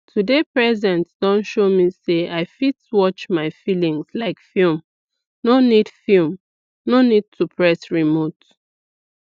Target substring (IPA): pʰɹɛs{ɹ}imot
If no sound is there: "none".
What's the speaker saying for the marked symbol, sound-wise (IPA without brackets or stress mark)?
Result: ɹ